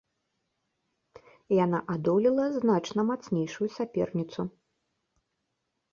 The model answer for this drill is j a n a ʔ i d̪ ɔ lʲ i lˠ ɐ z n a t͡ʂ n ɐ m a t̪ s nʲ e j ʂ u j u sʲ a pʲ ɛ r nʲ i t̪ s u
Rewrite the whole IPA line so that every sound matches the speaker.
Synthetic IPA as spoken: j a n a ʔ a d̪ ɔ lʲ i lˠ ɐ z n a t͡ʂ n ɐ m a t̪ s nʲ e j ʂ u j u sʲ a pʲ ɛ r nʲ i t̪ s u